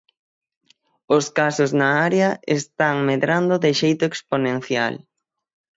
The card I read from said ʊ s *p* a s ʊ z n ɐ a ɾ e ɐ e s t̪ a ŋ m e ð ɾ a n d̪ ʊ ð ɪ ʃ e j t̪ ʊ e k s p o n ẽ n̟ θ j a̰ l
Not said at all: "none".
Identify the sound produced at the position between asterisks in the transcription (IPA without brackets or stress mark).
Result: k